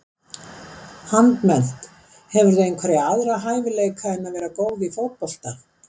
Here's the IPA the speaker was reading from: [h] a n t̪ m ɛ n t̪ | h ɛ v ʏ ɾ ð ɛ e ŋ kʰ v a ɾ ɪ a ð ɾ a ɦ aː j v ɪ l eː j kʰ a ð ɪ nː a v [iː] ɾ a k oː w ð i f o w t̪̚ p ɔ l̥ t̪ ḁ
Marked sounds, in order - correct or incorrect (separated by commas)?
correct, incorrect